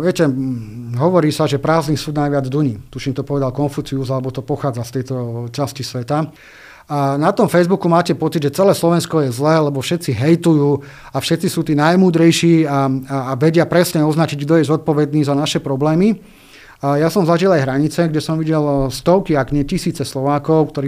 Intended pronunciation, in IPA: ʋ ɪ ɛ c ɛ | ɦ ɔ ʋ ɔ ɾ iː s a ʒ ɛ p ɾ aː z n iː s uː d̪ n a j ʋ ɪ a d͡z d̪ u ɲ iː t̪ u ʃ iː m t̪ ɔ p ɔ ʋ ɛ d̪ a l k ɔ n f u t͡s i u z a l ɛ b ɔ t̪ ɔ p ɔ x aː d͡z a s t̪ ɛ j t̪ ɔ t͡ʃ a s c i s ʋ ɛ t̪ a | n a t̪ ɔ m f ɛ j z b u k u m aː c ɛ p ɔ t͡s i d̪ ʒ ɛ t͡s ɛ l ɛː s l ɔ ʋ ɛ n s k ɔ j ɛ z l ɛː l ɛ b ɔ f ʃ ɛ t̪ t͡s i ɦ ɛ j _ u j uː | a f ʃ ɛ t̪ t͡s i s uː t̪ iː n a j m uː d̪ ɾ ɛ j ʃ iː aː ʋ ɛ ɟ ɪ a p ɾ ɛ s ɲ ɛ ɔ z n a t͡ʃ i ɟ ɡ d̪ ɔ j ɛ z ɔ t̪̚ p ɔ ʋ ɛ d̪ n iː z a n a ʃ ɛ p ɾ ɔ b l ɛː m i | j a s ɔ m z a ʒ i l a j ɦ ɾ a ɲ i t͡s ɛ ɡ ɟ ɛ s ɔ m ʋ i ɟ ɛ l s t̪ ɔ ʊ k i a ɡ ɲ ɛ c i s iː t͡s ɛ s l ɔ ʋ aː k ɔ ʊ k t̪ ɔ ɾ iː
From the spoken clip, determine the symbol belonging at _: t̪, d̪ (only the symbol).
t̪